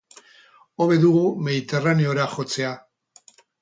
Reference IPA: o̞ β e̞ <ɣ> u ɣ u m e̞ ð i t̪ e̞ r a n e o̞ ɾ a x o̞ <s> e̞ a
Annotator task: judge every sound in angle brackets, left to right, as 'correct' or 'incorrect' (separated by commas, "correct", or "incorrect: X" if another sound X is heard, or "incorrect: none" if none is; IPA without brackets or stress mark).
incorrect: ð, incorrect: t͡s